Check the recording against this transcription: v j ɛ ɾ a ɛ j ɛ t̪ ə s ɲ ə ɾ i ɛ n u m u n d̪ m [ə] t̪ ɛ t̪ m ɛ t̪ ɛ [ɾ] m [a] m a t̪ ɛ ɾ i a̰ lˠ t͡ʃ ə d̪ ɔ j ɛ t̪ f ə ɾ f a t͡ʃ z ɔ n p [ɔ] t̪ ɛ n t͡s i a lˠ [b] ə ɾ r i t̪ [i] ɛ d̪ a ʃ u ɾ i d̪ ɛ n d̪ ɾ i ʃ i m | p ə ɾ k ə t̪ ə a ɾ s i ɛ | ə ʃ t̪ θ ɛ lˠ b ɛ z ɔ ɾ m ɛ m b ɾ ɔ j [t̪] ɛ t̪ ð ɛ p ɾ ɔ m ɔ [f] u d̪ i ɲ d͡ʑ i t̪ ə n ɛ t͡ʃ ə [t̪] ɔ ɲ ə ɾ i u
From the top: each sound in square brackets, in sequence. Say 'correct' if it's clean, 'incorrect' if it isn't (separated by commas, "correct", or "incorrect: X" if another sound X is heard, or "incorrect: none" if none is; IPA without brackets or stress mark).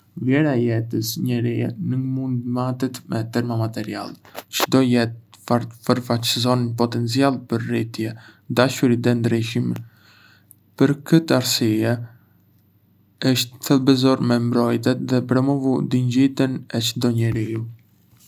incorrect: a, correct, correct, correct, incorrect: p, incorrect: j, correct, incorrect: v, incorrect: d̪